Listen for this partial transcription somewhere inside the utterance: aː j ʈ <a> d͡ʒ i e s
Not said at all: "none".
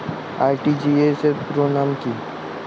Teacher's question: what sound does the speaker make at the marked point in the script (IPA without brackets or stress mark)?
i